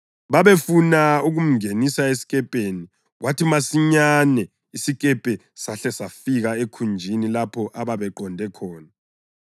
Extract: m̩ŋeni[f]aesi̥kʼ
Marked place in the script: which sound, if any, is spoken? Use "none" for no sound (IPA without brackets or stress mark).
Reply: s